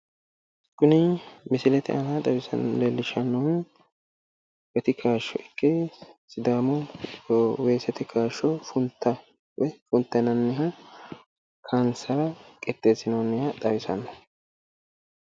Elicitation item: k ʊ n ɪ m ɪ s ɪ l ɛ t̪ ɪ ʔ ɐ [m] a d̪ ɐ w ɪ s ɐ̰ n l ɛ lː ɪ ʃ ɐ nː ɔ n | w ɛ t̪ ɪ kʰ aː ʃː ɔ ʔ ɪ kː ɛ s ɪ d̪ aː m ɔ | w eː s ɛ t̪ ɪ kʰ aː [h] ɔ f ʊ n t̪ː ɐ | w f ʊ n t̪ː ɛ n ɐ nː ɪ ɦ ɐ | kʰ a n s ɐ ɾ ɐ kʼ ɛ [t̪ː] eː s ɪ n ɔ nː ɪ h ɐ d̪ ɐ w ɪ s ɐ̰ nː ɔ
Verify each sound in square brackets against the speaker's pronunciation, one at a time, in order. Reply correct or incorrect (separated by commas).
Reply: incorrect, incorrect, correct